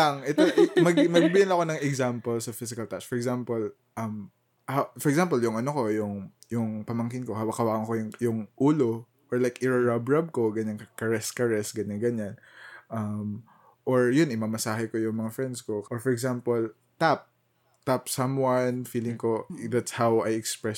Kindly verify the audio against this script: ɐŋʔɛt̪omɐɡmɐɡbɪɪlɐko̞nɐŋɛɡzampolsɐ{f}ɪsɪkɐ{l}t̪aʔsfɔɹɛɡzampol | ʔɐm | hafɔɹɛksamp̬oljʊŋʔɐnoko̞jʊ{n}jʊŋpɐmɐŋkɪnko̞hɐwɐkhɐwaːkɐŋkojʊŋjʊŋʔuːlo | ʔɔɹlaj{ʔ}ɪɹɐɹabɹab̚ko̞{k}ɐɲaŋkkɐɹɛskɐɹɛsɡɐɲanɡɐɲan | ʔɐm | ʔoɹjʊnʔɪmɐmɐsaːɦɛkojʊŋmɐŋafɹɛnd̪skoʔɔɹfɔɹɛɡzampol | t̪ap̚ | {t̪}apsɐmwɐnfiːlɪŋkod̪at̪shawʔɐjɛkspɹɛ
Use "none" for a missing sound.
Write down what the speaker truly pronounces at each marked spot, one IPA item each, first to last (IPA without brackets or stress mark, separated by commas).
f, l, ŋ, k, ɡ, t̪